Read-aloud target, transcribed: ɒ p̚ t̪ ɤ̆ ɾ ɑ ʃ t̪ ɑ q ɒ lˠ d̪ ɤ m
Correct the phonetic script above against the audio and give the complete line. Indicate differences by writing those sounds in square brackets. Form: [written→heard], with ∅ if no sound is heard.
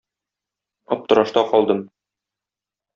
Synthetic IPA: ɒ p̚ t̪ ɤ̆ ɾ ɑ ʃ t̪ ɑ q ɒ lˠ d̪ ɤ m